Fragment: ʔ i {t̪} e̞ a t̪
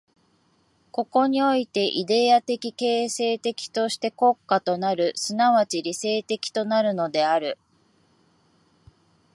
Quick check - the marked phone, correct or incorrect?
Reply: incorrect